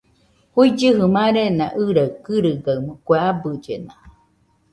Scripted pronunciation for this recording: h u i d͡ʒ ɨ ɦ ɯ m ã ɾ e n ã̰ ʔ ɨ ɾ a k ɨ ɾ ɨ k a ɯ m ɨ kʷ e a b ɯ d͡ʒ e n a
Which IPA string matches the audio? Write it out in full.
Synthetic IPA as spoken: h u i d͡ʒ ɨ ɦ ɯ m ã ɾ e n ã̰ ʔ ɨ ɾ a k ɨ ɾ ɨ ɡ a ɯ m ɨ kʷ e a b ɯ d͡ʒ e n a

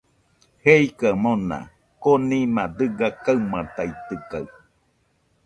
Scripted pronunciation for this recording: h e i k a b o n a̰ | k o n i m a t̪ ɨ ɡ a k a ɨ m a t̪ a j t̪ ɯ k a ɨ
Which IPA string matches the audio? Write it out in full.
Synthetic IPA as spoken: h e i k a m o n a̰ | k o n i m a d̪ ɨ ɡ a k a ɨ m a t̪ a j t̪ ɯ k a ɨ

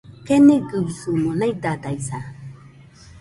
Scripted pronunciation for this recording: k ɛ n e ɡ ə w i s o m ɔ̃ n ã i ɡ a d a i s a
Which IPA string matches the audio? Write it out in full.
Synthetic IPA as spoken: k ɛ n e ɡ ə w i s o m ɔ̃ n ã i d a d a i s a

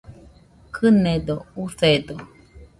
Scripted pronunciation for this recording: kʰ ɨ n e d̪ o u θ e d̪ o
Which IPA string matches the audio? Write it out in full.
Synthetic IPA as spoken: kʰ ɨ n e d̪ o u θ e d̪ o

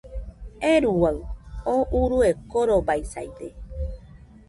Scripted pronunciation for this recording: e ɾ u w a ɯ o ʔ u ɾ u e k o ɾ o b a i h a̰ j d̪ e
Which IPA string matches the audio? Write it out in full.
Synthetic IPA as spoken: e ɾ u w a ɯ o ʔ u ɾ u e k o ɾ o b a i s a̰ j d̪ e

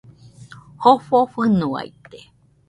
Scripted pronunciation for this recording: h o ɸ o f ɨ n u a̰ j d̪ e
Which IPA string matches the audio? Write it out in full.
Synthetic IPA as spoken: h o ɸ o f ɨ n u a̰ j t̪ e

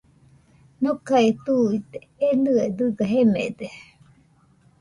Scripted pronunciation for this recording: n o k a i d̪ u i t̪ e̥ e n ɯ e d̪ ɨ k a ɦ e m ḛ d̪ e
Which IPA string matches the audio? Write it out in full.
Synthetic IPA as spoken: n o k a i t̪ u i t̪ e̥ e n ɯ e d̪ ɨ ɡ a ɦ e m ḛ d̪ e

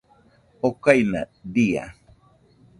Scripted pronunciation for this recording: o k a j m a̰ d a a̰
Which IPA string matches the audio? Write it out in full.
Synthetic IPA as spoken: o k a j n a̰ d i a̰

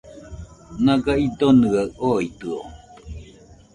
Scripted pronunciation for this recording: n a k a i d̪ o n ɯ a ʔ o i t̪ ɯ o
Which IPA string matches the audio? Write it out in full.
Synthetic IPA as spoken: n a ɡ a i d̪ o n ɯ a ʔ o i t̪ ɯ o

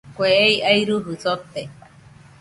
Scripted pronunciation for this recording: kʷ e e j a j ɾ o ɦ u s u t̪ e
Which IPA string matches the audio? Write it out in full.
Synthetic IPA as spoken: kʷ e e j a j ɾ u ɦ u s o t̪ e

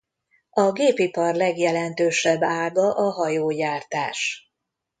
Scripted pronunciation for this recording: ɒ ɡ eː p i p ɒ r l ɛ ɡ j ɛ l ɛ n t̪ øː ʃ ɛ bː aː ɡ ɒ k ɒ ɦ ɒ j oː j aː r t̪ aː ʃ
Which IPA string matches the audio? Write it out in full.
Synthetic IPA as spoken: ɒ ɡ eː p i p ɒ r l ɛ ɡ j ɛ l ɛ n t̪ øː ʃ ɛ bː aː ɡ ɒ ʔ ɒ ɦ ɒ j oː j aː r t̪ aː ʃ

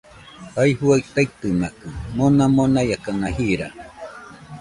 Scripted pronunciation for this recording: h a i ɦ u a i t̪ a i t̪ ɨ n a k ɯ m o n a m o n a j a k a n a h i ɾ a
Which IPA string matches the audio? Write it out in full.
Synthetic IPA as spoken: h a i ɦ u a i t̪ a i t̪ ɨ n a k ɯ m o n a m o n a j a k a n a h i ɾ a

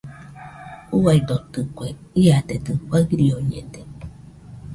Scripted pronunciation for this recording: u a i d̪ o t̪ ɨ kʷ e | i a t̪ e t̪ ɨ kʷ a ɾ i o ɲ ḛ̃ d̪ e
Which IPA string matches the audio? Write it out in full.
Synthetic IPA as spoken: u a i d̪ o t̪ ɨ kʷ e | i a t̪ e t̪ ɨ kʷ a ɾ i o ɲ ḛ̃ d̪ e

